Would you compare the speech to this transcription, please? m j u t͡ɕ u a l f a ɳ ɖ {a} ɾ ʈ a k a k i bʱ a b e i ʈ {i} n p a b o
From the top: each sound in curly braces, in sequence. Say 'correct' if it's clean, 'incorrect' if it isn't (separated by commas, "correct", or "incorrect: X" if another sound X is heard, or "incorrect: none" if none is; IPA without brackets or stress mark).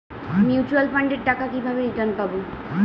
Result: incorrect: e, incorrect: a